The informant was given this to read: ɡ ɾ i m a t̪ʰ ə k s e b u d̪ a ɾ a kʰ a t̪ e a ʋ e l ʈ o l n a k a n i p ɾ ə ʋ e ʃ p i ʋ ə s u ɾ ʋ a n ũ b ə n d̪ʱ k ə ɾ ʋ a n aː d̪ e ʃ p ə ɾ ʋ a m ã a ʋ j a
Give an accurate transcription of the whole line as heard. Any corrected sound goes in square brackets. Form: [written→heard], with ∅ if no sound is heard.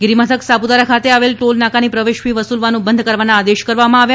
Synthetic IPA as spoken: ɡ ɾ i m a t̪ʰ ə k s [e→a] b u d̪ a ɾ a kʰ a t̪ e a ʋ e l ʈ o l n a k a n i p ɾ ə ʋ e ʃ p i ʋ ə s u [ɾ→l] ʋ a n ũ b ə n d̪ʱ k ə ɾ ʋ a n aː d̪ e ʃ [p→k] ə ɾ ʋ a m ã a ʋ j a